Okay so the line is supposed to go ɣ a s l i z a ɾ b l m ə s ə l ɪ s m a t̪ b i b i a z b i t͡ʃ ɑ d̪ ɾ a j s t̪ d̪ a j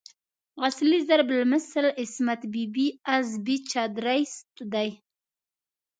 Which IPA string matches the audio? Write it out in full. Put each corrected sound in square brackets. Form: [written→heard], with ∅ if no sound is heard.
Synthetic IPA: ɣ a s l i z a ɾ b l m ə s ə l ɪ s m a t̪ b i b i a z b i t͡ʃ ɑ d̪ ɾ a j s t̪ d̪ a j

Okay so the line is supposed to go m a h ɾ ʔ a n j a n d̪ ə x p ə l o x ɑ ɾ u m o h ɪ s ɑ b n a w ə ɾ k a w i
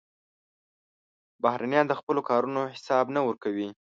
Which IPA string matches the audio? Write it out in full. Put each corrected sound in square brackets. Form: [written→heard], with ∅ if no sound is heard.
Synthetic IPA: [m→b] a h ɾ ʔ a n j [a→ɑ] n d̪ ə x p ə l o [x→k] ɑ ɾ u [m→n] o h ɪ s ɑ b n a w ə ɾ k a w i

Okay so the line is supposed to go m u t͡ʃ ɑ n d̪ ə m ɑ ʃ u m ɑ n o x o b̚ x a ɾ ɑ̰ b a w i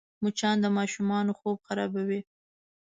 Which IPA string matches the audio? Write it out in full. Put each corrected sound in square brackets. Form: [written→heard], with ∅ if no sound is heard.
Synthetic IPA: m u t͡ʃ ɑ n d̪ ə m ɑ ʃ u m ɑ n o x o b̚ x a ɾ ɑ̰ b a w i

